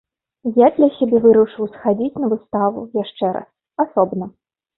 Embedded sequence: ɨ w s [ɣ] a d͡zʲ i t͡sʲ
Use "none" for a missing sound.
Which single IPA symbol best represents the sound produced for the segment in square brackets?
x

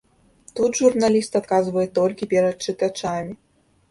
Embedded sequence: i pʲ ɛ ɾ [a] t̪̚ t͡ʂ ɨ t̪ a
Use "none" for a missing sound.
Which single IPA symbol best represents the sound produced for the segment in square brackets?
ɐ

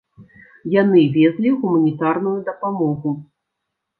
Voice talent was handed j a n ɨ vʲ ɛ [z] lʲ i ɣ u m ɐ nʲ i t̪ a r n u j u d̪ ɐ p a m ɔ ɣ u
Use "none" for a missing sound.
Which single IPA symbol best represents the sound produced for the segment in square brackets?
z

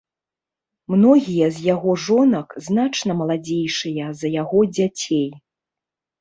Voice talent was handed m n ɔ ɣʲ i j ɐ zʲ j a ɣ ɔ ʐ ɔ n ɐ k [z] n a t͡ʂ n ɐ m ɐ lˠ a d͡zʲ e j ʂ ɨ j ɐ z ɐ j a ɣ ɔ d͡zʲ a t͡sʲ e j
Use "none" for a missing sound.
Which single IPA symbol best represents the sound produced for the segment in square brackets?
z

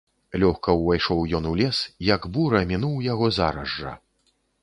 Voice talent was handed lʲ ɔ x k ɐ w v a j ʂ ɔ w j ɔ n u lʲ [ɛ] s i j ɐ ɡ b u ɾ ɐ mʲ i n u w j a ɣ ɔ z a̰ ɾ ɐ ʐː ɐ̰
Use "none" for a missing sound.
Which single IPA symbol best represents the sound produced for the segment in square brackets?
ɛ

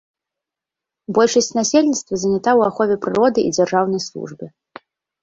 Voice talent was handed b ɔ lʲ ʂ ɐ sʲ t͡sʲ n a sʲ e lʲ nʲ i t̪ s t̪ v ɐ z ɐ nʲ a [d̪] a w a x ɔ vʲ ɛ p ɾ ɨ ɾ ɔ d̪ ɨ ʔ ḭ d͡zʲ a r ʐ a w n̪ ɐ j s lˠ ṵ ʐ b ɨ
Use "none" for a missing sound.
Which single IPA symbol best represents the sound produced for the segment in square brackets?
t̪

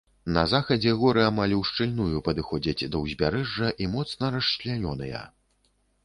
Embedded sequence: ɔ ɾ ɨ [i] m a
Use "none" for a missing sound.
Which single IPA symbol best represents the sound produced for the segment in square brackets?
a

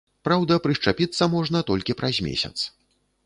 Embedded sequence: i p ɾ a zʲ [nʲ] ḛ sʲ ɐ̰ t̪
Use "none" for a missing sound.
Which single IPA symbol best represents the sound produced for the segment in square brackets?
mʲ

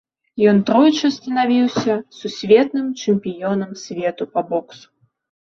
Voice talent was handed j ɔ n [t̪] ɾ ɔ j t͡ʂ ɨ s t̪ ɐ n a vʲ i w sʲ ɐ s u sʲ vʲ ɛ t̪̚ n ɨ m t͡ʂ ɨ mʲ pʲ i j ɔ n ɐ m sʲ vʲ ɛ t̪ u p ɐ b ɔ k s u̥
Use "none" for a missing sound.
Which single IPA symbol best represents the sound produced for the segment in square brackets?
t̪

